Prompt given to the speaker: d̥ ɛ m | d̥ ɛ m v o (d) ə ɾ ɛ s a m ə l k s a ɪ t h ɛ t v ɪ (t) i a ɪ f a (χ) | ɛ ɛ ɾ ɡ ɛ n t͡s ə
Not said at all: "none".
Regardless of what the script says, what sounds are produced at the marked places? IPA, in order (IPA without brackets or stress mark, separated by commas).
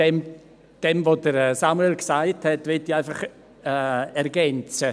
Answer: d, t, χ